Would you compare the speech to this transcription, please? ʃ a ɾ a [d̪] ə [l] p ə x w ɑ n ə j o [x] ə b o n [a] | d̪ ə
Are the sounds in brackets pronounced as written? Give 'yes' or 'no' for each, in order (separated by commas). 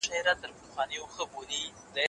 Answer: no, no, yes, no